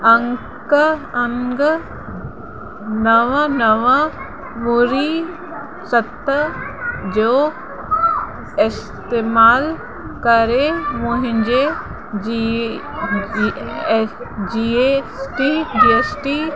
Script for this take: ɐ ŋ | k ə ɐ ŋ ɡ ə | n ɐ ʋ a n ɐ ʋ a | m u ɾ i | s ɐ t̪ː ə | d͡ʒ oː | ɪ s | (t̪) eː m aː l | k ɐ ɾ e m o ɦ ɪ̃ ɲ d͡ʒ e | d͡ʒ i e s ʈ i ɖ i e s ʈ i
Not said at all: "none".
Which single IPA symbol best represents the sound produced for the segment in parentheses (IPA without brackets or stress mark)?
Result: t̪